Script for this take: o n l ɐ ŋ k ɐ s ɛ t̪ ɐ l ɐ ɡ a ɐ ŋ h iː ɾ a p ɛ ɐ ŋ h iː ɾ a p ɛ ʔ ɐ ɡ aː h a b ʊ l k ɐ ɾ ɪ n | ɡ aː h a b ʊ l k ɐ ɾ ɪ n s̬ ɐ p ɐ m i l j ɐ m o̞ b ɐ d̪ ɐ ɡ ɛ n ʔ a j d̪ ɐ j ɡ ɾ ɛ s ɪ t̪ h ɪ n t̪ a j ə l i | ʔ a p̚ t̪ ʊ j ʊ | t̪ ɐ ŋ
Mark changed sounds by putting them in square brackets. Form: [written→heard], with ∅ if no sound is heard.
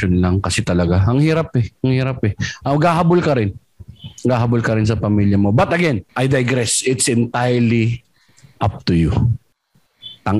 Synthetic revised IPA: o n l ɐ ŋ k ɐ s ɛ t̪ ɐ l ɐ ɡ a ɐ ŋ h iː ɾ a p ɛ ɐ ŋ h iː ɾ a p ɛ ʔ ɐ ɡ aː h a b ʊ l k ɐ ɾ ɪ n | ɡ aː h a b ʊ l k ɐ ɾ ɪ n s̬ ɐ p ɐ m i l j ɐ m o̞ b ɐ [d̪→t̪] ɐ ɡ ɛ n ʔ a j d̪ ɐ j ɡ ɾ ɛ s ɪ t̪ [h→s] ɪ n t̪ a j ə l i | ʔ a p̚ t̪ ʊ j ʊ | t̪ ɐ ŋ